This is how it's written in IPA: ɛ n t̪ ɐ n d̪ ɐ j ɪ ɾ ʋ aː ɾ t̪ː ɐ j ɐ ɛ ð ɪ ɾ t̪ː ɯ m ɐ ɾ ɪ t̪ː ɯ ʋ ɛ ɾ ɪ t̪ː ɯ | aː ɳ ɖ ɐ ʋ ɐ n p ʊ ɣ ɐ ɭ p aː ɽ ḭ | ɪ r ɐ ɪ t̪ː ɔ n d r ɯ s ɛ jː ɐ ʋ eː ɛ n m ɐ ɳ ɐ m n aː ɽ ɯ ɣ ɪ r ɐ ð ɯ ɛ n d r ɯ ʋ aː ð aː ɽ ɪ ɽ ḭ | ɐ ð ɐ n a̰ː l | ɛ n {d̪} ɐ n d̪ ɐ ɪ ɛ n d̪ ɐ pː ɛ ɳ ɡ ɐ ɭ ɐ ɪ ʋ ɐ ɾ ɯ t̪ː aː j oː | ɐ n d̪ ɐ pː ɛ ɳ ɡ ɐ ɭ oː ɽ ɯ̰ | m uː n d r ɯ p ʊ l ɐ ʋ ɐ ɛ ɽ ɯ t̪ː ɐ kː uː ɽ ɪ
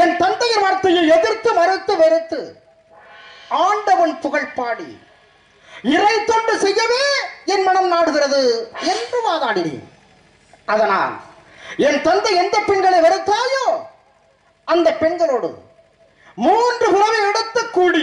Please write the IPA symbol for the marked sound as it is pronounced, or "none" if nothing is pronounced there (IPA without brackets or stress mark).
t̪